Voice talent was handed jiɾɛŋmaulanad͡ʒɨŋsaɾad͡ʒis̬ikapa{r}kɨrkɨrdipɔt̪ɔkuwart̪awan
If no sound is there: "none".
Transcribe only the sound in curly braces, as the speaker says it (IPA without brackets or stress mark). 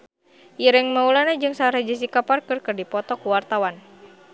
r